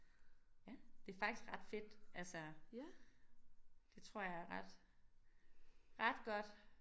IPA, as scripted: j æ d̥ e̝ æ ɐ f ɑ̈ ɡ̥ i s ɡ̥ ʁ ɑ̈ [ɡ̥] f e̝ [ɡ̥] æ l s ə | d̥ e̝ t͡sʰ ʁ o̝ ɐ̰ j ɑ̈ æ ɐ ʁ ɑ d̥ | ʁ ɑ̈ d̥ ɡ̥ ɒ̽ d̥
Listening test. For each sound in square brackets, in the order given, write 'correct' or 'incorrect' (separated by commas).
incorrect, incorrect